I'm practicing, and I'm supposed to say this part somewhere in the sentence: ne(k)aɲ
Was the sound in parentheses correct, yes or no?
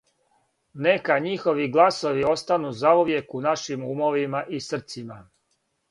yes